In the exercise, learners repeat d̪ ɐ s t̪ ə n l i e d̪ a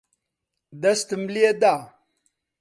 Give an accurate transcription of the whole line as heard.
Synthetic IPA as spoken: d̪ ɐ s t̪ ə m l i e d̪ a